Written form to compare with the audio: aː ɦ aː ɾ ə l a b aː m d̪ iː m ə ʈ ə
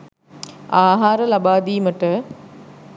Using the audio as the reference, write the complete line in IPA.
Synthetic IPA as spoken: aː ɦ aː ɾ ə l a b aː d̪ iː m ə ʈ ə